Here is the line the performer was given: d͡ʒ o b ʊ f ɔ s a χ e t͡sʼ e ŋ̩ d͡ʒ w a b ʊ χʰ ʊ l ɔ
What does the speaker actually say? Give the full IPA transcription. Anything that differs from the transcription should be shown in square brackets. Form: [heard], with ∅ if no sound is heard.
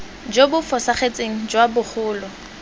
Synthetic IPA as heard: d͡ʒ o b ʊ f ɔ s a χ e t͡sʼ e ŋ̩ d͡ʒ w a b ʊ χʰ [ʊː] l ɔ